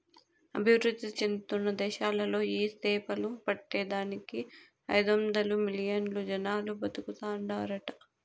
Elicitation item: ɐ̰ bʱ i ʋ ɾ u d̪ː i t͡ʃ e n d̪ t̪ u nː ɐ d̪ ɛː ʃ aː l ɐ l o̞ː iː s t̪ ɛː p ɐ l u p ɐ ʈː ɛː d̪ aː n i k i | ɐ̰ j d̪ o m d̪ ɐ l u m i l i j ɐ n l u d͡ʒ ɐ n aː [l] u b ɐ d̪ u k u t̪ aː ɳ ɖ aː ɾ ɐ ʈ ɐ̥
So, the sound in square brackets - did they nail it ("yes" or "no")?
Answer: yes